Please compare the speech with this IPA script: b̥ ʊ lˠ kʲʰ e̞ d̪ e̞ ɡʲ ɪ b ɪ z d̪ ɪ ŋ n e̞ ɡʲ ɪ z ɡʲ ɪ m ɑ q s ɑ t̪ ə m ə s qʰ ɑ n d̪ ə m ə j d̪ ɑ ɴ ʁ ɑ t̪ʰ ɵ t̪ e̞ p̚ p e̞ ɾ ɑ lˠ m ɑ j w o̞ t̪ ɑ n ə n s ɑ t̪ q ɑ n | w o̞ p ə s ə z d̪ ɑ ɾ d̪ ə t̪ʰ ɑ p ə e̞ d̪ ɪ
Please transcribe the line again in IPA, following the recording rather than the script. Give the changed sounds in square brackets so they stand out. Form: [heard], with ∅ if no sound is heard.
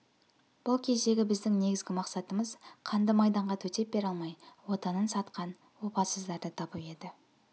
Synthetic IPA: b̥ ʊ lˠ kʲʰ e̞ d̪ e̞ ɡʲ ɪ b ɪ z d̪ ɪ ŋ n e̞ ɡʲ ɪ z ɡʲ ɪ m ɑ q s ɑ t̪ ə m ə [z] qʰ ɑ n d̪ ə m [ɑ] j d̪ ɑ ɴ ʁ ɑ t̪ʰ ɵ t̪ e̞ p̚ [b] e̞ ɾ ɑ lˠ m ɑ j w o̞ t̪ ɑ n ə n s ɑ t̪ q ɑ n | w o̞ p [ɑ] s ə z d̪ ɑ ɾ d̪ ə t̪ʰ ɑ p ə e̞ d̪ ɪ